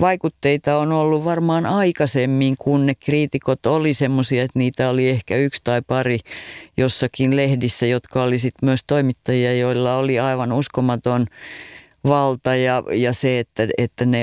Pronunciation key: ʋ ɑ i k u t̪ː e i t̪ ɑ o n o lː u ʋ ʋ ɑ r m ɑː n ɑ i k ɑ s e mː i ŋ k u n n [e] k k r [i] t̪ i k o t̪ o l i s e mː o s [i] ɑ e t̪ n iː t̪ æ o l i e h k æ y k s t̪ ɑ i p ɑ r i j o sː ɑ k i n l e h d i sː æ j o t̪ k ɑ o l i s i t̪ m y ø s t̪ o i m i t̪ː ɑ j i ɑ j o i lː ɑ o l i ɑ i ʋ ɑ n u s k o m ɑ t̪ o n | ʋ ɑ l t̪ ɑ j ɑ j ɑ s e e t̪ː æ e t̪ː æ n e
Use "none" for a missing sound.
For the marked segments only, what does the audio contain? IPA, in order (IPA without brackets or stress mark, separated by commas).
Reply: e, iː, i